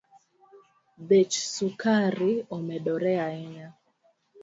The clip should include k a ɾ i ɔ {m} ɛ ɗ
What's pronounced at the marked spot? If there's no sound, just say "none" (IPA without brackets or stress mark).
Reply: m